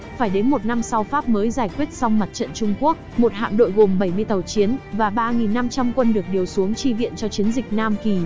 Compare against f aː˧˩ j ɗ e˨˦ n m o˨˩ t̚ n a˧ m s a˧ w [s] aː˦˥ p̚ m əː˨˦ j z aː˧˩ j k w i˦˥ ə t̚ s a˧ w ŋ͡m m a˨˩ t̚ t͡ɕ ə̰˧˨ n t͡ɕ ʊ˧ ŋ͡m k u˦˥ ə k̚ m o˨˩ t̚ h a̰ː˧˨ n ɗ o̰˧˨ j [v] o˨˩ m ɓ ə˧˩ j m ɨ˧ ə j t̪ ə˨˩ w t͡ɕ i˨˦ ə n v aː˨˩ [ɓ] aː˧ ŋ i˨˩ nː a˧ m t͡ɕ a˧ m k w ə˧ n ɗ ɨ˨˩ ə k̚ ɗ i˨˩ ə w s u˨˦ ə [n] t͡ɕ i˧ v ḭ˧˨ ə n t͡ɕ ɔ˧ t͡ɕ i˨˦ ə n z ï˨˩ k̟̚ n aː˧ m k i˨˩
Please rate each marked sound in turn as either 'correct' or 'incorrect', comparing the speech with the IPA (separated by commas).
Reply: incorrect, incorrect, correct, incorrect